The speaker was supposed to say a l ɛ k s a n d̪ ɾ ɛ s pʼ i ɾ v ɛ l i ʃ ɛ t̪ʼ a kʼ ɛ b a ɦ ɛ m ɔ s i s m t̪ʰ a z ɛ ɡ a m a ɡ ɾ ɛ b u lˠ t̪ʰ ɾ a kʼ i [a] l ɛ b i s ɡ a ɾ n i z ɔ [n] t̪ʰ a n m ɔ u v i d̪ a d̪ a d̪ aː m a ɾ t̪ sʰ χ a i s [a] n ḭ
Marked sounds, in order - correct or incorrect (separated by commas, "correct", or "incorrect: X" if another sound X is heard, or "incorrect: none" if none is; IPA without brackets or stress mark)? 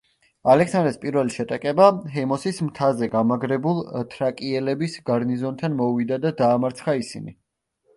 incorrect: ɛ, correct, incorrect: i